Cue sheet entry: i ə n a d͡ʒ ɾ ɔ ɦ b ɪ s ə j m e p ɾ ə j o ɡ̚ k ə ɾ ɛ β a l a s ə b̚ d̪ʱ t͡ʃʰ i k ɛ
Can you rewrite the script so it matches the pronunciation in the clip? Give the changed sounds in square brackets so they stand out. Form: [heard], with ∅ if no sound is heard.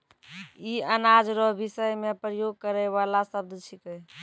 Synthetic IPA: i ə n a d͡ʒ ɾ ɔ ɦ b [i] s ə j m e p ɾ ə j o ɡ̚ k ə ɾ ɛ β a l a s ə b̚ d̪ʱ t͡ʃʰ i k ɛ